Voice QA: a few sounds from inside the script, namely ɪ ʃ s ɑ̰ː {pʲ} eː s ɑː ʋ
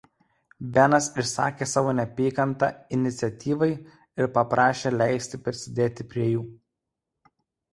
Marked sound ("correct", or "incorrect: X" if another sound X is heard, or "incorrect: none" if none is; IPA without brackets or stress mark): incorrect: kʲ